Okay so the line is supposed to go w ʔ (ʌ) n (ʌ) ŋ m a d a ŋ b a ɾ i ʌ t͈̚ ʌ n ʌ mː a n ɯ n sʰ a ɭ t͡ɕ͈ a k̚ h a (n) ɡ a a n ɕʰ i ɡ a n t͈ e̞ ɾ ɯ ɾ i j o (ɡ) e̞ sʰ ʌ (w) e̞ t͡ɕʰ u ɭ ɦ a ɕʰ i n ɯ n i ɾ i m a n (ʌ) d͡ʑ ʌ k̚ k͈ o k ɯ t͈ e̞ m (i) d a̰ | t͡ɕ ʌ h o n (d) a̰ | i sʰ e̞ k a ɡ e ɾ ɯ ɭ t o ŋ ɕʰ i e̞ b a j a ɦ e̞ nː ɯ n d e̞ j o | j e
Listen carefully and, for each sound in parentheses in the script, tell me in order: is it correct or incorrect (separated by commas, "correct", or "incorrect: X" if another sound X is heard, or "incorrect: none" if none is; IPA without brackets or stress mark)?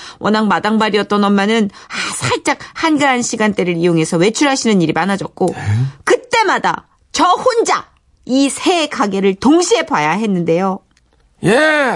correct, incorrect: a, correct, incorrect: ŋ, correct, incorrect: a, incorrect: a, incorrect: d͡ʑ